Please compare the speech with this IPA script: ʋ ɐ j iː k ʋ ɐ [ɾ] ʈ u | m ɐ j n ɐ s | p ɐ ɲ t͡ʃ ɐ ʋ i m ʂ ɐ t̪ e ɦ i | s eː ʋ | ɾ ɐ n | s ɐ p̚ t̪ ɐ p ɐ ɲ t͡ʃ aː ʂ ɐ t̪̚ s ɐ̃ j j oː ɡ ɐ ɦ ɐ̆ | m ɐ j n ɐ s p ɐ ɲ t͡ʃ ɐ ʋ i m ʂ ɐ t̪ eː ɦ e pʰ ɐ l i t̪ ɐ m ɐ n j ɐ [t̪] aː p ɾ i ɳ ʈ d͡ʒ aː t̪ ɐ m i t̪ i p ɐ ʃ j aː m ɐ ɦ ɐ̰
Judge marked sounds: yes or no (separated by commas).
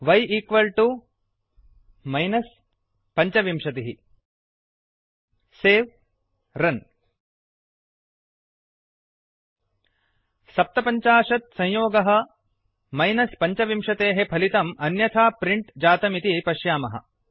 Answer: no, no